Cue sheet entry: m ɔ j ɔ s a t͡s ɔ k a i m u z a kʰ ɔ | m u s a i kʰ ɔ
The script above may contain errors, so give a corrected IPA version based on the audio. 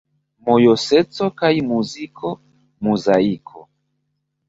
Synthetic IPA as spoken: m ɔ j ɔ s ɛ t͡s ɔ k a i m u z i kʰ ɔ | m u z a i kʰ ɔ